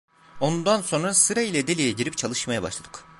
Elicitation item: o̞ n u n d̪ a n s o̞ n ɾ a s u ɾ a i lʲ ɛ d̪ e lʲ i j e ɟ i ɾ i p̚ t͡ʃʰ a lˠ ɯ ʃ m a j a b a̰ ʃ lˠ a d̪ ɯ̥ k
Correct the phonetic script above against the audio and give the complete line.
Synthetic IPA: o̞ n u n d̪ a n s o̞ n ɾ a s ɯ ɾ a i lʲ ɛ d̪ e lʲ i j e ɟ i ɾ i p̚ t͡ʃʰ a lˠ ɯ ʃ m a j a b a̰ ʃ lˠ a d̪ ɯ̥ k